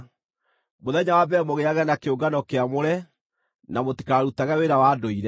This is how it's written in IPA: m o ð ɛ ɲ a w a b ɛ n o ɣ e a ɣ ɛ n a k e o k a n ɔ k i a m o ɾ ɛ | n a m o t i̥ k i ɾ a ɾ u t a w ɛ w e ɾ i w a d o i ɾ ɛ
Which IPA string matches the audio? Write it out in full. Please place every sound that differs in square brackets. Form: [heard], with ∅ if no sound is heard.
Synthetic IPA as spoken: m o ð ɛ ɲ a w a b ɛ [m] o ɣ e a ɣ ɛ n a k e o [ɡ] a n ɔ k [e] a m o ɾ ɛ | n a m o t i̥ k [a] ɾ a ɾ u t a [ɣ] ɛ w e ɾ [a] w a d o i ɾ ɛ